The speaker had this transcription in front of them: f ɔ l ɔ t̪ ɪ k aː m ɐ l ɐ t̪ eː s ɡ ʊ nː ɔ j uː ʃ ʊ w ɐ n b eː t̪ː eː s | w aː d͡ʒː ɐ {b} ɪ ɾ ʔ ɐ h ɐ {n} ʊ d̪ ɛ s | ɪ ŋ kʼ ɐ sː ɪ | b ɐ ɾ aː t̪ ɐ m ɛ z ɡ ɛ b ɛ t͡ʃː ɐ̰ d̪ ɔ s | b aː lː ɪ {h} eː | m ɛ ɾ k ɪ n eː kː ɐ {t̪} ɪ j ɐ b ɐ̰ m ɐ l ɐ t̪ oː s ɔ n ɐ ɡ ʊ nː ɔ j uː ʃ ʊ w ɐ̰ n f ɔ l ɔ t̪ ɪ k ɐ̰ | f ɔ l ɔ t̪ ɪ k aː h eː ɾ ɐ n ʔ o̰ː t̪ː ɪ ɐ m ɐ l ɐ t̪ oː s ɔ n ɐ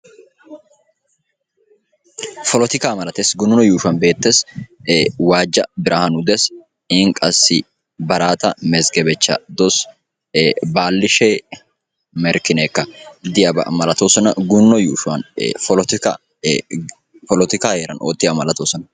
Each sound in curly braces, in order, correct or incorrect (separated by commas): correct, correct, incorrect, incorrect